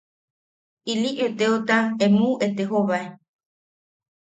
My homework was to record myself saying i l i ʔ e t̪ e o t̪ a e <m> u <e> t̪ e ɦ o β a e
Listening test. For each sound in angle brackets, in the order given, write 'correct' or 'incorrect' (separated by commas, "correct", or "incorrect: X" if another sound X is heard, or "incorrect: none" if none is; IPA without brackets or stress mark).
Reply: correct, correct